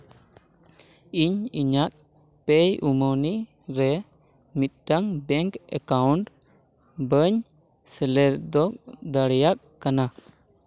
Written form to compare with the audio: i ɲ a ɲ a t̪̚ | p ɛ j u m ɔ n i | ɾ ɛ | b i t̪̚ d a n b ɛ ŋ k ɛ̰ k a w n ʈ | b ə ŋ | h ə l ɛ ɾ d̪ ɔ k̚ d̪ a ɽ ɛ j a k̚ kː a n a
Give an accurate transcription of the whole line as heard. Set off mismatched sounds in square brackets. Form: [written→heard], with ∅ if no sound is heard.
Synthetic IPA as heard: i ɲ [a→i] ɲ a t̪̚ | p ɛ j u m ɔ n i | ɾ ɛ | [b→m] i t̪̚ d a [n→ŋ] b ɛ ŋ k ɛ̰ k a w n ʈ | b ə [ŋ→ɲ] | [h→s] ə l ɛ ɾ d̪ ɔ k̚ d̪ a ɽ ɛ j a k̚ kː a n a